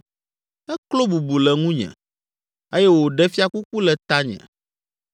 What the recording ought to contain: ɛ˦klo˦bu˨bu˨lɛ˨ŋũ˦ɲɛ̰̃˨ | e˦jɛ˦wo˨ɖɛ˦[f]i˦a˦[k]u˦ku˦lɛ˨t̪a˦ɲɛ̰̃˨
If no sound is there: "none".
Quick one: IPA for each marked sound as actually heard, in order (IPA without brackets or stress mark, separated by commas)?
f, k